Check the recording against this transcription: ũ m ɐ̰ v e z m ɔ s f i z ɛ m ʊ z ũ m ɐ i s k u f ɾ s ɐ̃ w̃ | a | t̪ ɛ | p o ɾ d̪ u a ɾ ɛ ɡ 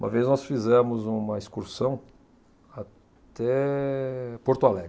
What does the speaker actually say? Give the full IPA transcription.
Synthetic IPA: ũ m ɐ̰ v e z n ɔ s f i z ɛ m ʊ z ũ m ɐ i s k u ɾ s ɐ̃ w̃ | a | t̪ ɛ | p o ɾ t̪ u a l ɛ ɡ